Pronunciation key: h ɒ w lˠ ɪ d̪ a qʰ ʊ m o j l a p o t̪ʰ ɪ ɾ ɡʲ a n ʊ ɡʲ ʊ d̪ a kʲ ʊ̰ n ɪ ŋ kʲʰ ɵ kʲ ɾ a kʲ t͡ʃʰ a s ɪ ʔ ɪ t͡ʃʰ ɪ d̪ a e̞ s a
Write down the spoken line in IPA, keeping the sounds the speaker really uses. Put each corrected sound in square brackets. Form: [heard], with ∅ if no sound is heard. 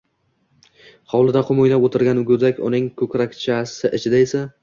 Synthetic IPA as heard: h ɒ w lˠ ɪ d̪ a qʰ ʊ m o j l a p o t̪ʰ ɪ ɾ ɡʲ a n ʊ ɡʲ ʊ d̪ a kʲ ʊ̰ n ɪ ŋ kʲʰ ɵ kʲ ɾ a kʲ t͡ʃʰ a s ɪ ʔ ɪ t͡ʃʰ ɪ d̪ a e̞ s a